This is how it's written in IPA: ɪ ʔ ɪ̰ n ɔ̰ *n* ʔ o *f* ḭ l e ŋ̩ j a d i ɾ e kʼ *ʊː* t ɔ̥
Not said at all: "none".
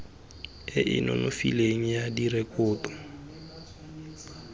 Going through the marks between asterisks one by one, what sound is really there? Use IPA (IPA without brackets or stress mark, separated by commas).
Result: n, f, ʊː